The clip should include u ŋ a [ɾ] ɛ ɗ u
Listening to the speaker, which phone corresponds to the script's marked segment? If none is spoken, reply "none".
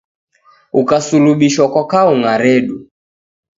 ɾ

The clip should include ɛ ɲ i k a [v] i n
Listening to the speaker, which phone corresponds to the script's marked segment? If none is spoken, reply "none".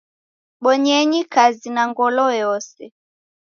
z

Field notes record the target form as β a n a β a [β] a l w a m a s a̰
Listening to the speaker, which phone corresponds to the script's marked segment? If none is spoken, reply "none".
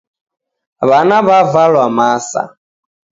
v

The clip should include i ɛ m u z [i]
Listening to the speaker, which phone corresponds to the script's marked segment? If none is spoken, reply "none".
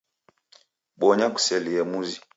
i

